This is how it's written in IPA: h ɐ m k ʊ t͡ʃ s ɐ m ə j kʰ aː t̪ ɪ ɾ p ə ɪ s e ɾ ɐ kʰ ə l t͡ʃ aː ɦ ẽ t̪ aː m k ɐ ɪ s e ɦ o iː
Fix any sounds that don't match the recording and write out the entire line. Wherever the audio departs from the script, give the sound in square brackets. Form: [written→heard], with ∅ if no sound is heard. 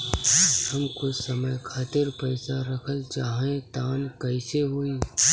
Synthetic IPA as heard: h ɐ m k ʊ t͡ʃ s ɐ m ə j kʰ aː t̪ ɪ ɾ p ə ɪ s [e→a] ɾ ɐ kʰ ə l t͡ʃ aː ɦ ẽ t̪ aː [m→n] k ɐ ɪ s e ɦ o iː